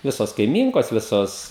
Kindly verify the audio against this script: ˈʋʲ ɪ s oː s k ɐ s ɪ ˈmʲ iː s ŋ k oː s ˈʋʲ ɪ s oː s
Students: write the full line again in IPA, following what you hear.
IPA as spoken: ˈʋʲ ɪ s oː s k ɐ ɪ ˈmʲ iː ŋ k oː s ˈʋʲ ɪ s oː s